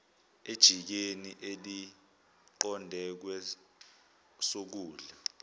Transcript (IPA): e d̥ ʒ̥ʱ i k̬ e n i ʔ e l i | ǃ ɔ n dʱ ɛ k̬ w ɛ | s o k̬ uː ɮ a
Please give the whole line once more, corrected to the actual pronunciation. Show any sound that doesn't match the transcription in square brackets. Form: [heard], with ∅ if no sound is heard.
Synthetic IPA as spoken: e d̥ ʒ̥ʱ i k̬ e n i ʔ e l i | ǃ ɔ n dʱ ɛ k̬ w ɛ | s o k̬ uː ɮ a